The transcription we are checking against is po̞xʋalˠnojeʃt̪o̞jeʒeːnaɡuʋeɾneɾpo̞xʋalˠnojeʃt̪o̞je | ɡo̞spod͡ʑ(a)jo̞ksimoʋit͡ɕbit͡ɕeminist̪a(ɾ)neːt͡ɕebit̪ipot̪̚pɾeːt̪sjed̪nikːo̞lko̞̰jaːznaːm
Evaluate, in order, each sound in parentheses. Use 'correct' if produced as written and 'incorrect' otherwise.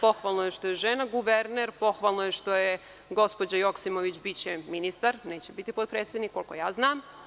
correct, correct

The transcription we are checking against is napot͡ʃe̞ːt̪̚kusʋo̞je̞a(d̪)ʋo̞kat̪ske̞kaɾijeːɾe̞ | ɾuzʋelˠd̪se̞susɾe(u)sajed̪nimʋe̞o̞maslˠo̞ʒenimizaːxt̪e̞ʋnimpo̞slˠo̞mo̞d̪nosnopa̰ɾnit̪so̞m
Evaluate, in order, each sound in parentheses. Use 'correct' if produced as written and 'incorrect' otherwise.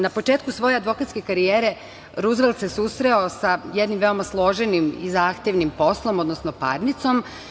correct, incorrect: o

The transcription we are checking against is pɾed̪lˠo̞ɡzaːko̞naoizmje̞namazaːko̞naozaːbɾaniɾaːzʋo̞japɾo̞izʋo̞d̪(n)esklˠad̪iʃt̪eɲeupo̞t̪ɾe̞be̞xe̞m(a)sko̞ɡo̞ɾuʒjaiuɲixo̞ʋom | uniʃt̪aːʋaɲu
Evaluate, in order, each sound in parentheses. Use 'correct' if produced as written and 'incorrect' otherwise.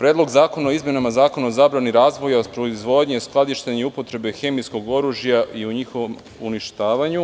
incorrect: ɲ, incorrect: i

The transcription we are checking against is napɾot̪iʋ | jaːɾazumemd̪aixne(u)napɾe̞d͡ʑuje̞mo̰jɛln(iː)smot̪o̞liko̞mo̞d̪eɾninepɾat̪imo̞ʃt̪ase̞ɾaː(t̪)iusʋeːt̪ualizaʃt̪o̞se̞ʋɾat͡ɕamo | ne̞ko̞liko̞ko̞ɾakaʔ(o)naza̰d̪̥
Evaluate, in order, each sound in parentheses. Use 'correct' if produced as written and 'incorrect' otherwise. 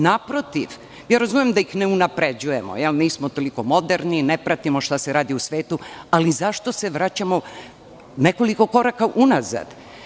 correct, correct, incorrect: d̪, incorrect: u

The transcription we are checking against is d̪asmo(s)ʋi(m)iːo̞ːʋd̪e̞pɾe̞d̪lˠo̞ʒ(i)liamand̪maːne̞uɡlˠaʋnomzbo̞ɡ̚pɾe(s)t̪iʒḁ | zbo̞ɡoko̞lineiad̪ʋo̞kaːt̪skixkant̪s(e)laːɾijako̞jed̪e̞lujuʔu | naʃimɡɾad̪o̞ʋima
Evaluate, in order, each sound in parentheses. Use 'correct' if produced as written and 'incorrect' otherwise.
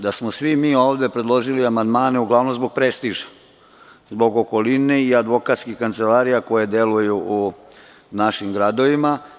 correct, correct, correct, correct, correct

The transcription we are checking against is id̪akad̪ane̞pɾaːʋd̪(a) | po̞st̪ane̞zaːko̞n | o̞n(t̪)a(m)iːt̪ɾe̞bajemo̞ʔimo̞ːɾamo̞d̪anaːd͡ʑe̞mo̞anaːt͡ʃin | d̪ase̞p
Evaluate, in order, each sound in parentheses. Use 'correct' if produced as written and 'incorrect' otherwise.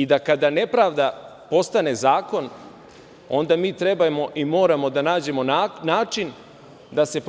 correct, incorrect: d̪, correct

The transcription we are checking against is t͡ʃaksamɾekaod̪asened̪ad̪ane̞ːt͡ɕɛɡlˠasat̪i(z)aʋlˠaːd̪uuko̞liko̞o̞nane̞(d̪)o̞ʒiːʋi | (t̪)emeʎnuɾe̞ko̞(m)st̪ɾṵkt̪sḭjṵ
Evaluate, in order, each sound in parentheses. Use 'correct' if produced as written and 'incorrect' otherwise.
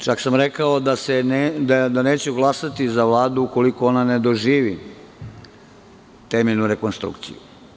correct, correct, correct, incorrect: n

